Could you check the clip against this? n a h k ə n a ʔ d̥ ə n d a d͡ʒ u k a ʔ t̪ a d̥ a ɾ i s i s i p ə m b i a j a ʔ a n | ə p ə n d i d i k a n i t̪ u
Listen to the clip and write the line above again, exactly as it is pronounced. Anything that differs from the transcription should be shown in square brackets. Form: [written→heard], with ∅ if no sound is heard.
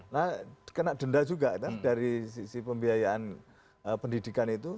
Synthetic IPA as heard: n a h k ə n a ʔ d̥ ə n d a d͡ʒ u [k→ɡ] a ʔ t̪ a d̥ a ɾ i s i s i p ə m b i a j a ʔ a n | ə p ə n d i d i k a n i t̪ u